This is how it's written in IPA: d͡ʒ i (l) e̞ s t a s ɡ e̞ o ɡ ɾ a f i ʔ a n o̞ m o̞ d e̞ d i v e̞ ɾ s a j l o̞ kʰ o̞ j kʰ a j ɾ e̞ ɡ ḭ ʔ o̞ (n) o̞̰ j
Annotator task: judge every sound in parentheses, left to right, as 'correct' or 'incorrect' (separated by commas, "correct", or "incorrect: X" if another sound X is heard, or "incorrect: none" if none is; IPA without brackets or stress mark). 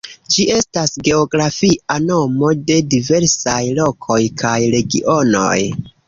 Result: incorrect: none, correct